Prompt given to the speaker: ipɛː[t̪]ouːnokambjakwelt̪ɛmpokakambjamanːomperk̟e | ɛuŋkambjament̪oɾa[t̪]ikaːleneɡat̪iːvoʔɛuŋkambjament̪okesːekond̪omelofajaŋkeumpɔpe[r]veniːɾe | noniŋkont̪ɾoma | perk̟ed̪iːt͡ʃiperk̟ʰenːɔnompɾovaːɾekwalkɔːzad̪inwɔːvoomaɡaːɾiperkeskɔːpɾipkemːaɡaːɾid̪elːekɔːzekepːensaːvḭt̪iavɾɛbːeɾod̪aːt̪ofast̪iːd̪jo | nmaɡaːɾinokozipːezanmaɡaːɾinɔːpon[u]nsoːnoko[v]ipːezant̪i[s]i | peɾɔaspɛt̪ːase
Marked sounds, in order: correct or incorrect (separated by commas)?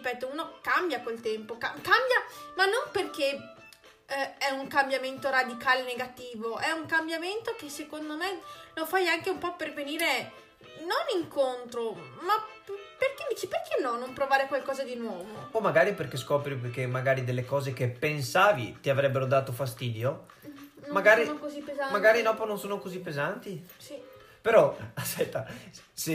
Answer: correct, incorrect, correct, incorrect, incorrect, correct